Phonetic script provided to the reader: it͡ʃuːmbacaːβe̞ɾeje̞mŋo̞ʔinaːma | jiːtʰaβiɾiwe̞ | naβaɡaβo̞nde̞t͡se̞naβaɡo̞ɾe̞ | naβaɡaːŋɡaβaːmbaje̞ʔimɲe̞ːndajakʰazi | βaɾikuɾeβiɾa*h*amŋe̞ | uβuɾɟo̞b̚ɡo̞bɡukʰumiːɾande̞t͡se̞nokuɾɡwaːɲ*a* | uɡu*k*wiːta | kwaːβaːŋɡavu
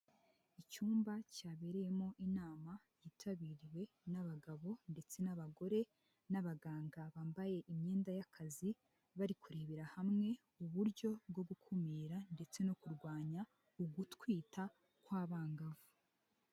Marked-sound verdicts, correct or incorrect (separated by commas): correct, correct, incorrect